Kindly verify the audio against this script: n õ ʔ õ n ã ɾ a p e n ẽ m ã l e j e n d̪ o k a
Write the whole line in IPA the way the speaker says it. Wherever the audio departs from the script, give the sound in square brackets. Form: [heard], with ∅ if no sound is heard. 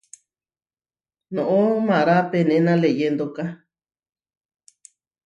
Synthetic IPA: n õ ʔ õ [m] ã ɾ a p e n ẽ [n] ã l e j e n d̪ o k a